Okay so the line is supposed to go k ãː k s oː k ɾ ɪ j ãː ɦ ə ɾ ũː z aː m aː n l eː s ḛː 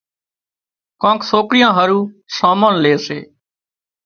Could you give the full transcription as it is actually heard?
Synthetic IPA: k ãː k s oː k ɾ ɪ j ãː ɦ ə ɾ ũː s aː m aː n l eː s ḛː